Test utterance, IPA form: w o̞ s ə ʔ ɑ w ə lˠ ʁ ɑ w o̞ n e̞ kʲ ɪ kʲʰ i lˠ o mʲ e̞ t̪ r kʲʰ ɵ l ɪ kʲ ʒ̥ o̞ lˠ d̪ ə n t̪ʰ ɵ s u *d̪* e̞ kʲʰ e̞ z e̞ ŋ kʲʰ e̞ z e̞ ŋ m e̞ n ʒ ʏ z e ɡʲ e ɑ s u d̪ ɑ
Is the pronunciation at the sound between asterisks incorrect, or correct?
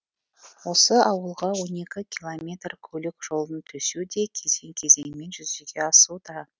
correct